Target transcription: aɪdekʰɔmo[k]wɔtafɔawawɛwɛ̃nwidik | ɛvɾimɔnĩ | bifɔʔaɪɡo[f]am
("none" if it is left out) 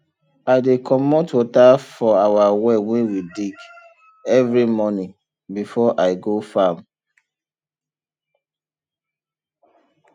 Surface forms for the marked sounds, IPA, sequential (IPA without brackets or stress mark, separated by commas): t, f